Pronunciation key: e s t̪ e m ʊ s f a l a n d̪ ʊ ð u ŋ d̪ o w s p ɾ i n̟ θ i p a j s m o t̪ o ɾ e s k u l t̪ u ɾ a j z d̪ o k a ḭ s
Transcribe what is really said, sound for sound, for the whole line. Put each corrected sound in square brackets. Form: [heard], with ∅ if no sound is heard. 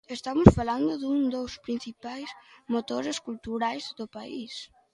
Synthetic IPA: e s t̪ [a] m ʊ s f a l a n d̪ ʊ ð u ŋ d̪ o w s p ɾ i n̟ θ i p a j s m o t̪ o ɾ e s k u l t̪ u ɾ a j z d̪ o [p] a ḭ s